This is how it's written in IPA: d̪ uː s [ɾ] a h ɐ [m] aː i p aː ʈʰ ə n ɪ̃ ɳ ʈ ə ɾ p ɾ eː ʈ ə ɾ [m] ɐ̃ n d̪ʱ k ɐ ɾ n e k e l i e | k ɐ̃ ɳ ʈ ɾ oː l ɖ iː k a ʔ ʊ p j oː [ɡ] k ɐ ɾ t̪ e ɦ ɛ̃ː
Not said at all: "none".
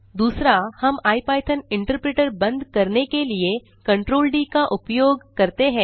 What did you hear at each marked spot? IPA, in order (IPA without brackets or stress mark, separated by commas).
ɾ, m, b, ɡ